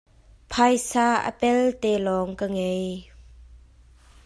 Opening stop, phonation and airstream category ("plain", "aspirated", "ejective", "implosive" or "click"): aspirated